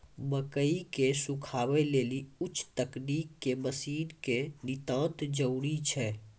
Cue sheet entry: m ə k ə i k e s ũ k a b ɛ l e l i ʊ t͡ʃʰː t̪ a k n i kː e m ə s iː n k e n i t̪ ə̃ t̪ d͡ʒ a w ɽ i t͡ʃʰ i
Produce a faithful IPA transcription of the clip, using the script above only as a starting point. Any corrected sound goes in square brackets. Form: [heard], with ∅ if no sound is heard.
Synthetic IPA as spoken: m ə k ə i k e s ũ [kʰ] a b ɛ l e l i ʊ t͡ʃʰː t̪ [ə] k n i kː e m ə s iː n k e n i t̪ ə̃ t̪ d͡ʒ [ə] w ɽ i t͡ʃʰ [ɛ]